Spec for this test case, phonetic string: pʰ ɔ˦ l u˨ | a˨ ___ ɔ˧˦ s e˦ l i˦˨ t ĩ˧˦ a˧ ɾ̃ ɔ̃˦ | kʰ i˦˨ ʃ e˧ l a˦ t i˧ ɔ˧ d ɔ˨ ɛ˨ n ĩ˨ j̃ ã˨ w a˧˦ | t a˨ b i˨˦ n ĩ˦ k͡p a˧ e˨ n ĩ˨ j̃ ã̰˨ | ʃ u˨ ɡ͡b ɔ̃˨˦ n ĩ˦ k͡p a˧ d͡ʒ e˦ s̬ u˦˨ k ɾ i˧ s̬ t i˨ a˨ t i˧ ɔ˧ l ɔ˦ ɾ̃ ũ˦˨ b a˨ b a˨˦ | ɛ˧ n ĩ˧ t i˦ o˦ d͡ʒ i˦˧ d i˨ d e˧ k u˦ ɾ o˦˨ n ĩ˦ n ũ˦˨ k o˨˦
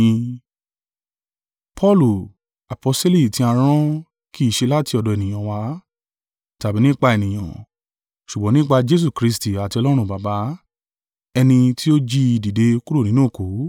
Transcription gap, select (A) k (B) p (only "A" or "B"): B